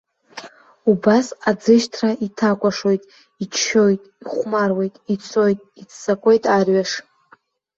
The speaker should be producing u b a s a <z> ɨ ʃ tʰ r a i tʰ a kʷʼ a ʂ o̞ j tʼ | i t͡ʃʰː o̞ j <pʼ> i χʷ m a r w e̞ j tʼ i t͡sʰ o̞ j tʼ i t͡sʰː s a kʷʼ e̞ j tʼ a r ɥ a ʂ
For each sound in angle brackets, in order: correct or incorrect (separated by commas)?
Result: incorrect, incorrect